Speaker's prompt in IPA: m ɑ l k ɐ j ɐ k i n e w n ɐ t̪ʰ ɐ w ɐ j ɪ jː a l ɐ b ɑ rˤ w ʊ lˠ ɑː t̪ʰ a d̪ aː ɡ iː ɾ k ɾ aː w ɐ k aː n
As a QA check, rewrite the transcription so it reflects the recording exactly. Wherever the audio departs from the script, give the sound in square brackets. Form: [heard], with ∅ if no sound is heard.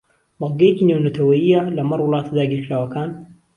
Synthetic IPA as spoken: m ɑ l [ɡ] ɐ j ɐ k i n e w n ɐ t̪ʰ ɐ w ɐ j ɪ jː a l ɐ [m] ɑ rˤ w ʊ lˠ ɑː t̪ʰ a d̪ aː ɡ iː ɾ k ɾ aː w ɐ k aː n